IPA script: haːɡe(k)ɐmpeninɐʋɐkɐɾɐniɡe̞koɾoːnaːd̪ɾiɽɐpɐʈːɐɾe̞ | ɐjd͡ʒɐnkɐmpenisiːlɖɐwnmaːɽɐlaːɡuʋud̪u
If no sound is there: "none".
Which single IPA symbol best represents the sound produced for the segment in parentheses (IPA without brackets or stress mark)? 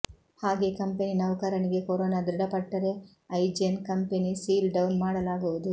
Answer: k